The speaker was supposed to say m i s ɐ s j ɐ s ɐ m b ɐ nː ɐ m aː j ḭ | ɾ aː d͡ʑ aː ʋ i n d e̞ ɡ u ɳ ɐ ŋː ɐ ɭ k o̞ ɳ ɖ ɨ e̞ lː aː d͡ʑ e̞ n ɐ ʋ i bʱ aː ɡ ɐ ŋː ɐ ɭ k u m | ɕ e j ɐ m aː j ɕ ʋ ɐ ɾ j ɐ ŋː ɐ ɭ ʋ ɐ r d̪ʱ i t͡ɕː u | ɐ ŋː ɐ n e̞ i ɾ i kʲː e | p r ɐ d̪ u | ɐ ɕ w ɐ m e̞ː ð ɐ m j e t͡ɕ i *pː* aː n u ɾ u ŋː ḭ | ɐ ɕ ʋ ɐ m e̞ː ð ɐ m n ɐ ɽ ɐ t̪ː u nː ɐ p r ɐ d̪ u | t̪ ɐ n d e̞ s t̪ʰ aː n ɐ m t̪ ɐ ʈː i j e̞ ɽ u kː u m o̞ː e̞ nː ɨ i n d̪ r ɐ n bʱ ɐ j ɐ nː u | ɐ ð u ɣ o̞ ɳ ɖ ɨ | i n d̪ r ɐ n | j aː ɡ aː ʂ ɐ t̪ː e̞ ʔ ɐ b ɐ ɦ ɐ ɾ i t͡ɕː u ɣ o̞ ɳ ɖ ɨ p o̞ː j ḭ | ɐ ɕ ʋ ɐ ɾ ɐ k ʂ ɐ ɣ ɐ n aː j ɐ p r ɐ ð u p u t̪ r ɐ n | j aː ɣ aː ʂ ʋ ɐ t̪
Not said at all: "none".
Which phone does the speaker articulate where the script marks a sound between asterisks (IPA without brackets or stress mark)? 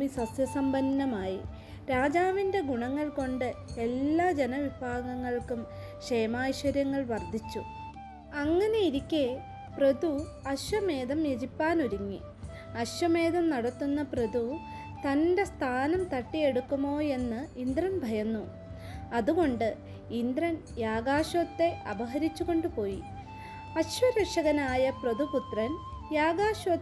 pː